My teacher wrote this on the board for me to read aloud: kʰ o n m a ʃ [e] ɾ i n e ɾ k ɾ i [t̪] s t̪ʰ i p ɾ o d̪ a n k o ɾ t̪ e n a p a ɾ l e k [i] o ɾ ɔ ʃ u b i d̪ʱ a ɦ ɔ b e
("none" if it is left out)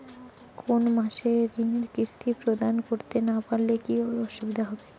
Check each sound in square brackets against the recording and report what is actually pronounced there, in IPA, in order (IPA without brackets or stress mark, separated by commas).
e, none, i